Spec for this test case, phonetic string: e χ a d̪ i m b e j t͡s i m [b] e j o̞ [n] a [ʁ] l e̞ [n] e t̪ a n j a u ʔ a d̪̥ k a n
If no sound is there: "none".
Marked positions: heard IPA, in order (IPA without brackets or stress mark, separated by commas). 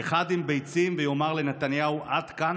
v, m, ʁ, n